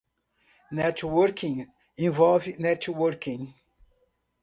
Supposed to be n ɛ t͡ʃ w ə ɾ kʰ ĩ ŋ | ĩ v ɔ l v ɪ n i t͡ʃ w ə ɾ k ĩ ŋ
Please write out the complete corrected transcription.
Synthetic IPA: n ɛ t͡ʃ w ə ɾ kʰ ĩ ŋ | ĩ v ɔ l v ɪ n ɛ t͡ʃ w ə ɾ k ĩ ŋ